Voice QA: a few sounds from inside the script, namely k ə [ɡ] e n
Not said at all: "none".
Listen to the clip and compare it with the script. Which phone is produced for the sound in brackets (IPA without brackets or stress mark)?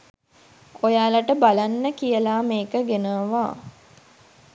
ɡ